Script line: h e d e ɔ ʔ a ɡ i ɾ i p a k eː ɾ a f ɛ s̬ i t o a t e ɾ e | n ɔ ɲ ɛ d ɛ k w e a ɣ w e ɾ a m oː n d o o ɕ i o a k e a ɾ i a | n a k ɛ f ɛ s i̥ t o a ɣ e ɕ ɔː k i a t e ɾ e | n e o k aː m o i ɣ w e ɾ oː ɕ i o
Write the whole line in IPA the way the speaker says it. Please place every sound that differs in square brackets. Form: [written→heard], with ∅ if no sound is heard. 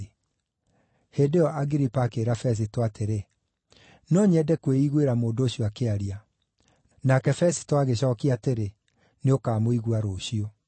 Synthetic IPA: h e d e ɔ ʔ a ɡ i ɾ i p a k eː ɾ a f ɛ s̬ i t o a t e ɾ e | n ɔ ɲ ɛ d ɛ k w e [a→i] ɣ w e ɾ a m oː n d o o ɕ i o a k e a ɾ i a | n a k ɛ f ɛ s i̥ t o a ɣ e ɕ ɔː k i a t e ɾ e | n e o k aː m o i ɣ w [e→a] ɾ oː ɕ i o